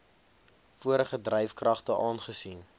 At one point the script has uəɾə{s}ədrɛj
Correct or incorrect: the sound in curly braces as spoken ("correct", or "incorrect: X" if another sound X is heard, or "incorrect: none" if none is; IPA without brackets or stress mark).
incorrect: χ